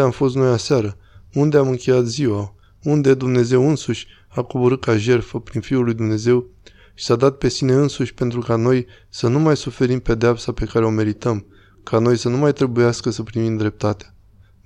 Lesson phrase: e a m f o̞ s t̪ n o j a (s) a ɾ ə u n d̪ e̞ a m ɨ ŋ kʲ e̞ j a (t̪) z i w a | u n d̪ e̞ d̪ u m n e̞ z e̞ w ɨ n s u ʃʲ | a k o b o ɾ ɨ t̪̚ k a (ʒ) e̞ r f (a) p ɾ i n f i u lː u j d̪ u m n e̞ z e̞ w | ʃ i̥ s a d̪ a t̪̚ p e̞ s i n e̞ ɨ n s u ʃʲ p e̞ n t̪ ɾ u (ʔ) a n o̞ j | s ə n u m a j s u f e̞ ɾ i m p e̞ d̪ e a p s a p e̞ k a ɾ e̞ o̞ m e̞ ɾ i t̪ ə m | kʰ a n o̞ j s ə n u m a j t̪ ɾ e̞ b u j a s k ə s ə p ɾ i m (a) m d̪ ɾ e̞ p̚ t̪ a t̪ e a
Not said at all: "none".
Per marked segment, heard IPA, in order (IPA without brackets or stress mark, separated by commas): s, t̪, ʒ, ə, k, i